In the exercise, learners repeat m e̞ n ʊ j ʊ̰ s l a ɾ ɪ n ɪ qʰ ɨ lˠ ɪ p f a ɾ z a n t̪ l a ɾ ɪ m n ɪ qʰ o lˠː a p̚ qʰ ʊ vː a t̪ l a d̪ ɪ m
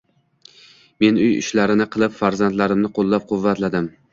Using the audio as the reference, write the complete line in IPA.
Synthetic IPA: m e̞ n ʊ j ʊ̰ ʃ l a ɾ ɪ n ɪ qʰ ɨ lˠ ɪ p f a ɾ z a n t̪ l a ɾ ɪ m n ɪ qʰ o lˠː a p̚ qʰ ʊ vː a t̪ l a d̪ ɪ m